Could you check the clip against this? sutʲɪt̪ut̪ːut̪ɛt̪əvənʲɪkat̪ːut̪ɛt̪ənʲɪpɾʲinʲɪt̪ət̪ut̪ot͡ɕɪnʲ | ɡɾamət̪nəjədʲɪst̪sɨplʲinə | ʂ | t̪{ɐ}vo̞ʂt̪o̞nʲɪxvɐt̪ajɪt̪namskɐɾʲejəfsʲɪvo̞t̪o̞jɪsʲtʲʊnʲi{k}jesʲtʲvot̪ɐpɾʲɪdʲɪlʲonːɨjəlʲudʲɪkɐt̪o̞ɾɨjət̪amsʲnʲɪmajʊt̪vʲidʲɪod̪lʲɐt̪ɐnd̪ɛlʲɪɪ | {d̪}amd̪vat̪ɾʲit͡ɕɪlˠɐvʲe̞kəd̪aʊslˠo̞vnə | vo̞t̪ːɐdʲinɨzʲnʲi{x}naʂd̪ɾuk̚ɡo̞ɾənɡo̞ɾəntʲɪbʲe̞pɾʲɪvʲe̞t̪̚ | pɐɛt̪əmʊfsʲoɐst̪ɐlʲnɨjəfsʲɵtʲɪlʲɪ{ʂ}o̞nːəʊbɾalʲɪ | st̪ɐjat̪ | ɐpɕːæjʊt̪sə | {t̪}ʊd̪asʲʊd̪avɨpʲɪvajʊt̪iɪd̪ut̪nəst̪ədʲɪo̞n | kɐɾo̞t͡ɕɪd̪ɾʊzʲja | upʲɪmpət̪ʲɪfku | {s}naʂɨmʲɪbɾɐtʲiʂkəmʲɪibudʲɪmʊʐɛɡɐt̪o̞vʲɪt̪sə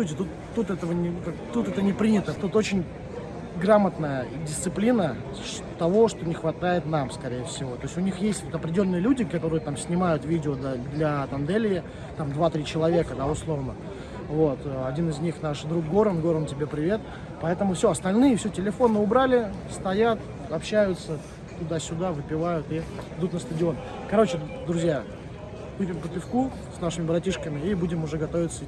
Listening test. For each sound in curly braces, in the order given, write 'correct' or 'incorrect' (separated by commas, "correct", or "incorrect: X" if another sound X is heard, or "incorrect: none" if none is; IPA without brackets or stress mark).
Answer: correct, incorrect: x, incorrect: t̪, correct, incorrect: f, correct, correct